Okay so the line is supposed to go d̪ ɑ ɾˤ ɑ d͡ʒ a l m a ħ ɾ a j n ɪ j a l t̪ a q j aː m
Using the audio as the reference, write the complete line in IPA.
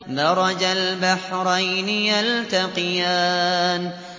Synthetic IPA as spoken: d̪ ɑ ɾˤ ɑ d͡ʒ a l b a ħ ɾ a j n ɪ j a l t̪ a q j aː n

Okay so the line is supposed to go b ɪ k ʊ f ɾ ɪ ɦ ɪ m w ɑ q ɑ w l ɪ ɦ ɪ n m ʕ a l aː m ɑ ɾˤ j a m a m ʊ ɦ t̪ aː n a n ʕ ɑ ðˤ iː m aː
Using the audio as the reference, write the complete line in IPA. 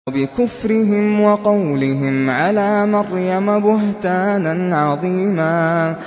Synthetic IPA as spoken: b ɪ k ʊ f ɾ ɪ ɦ ɪ m w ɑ q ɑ w l ɪ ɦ ɪ m ʕ a l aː m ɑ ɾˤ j a m a b ʊ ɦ t̪ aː n a n ʕ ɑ ðˤ iː m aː

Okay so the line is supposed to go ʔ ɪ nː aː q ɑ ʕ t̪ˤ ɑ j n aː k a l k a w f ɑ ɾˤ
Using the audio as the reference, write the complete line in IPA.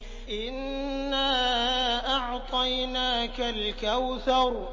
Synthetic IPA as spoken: ʔ ɪ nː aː ʔ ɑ ʕ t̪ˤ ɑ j n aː k a l k a w θ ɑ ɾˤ

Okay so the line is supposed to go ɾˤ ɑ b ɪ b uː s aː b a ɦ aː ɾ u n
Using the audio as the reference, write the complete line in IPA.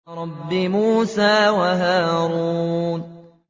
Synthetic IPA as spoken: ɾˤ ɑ bː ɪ m uː s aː w a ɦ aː ɾ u n

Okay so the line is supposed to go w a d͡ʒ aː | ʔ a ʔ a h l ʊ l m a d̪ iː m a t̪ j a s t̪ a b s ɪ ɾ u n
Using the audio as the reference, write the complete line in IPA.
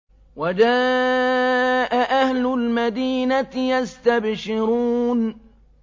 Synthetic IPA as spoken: w a d͡ʒ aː | ʔ a ʔ a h l ʊ l m a d̪ iː n a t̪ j a s t̪ a b ʃ ɪ ɾ u n

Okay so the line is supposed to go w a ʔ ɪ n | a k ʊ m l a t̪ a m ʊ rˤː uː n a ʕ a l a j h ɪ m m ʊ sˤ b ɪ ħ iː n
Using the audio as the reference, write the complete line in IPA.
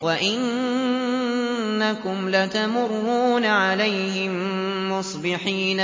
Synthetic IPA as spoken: w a ʔ ɪ n | a k ʊ m l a t̪ a m ʊ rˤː uː n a ʕ a l a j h ɪ m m ʊ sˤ b ɪ ħ iː n

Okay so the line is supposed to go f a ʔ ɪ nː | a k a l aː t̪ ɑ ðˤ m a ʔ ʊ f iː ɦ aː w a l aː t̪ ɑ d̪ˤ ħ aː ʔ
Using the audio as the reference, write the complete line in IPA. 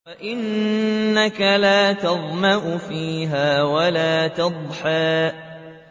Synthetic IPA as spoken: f a ʔ ɪ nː | a k a l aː t̪ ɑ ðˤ m a ʔ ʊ f iː ɦ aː w a l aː t̪ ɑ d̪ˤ ħ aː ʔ

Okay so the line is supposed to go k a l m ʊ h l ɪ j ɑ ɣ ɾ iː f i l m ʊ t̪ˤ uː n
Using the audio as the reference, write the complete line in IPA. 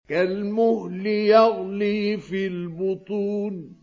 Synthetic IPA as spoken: k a l m ʊ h l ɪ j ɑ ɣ l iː f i l b ʊ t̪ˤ uː n

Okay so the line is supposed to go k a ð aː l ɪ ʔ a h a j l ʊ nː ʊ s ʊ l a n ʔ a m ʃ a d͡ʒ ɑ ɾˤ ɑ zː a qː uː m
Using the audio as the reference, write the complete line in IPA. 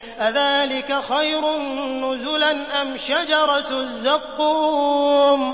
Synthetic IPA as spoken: ʔ a ð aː l ɪ k a x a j ɾ ʊ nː ʊ z ʊ l a n ʔ a m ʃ a d͡ʒ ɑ ɾˤ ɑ zː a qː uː m

